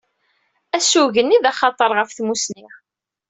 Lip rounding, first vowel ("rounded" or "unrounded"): unrounded